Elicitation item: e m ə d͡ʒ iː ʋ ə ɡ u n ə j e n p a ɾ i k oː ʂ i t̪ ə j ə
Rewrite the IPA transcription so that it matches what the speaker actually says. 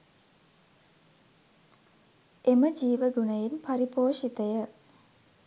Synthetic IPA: e m ə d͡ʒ iː ʋ ə ɡ u n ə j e n p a ɾ i p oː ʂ i t̪ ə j ə